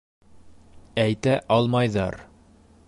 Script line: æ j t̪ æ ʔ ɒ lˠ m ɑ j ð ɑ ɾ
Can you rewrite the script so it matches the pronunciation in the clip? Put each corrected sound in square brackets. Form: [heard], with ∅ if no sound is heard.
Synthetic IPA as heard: æ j t̪ æ ʔ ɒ lˠ m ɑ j ð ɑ ɾ